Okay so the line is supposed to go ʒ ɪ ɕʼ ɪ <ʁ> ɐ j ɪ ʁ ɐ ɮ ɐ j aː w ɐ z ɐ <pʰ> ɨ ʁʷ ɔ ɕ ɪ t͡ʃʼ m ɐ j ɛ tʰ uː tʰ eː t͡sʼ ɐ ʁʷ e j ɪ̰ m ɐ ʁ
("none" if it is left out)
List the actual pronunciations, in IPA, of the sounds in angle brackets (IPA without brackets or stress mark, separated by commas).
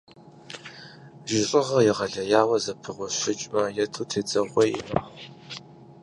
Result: ʁ, pʰ